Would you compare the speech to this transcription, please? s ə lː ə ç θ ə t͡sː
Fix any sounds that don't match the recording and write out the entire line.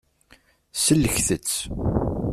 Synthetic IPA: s ə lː ə ç θ ə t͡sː